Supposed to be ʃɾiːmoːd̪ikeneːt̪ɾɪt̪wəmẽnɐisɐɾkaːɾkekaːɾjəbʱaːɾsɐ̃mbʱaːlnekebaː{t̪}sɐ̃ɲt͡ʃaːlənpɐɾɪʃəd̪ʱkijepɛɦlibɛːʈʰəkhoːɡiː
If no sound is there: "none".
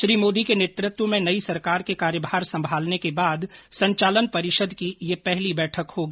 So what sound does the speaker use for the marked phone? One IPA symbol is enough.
d̪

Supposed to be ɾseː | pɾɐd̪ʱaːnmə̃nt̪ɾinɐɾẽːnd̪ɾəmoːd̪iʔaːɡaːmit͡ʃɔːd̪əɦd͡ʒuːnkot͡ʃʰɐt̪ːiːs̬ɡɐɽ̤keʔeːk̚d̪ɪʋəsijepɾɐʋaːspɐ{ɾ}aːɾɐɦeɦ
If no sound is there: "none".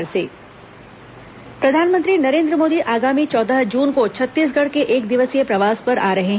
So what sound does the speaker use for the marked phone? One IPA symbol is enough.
ɾ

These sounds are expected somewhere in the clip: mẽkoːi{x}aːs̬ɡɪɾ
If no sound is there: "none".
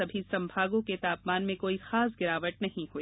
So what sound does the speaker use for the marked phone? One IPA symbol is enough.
x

